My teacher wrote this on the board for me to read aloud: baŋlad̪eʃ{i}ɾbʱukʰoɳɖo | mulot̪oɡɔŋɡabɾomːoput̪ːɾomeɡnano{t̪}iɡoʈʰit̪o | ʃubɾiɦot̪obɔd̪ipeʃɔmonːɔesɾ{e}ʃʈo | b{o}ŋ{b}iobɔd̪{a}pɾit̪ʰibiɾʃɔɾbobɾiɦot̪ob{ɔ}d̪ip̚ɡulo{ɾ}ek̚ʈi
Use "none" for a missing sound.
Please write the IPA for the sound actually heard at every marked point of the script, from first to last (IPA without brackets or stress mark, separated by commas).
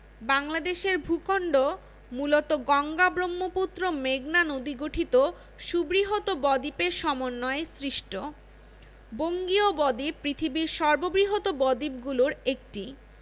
e, d̪, i, o, ɡ, i, ɔ, ɾ